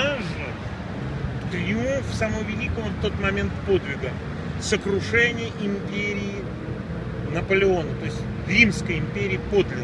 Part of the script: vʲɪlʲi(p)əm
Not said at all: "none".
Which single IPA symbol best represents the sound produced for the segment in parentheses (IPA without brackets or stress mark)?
k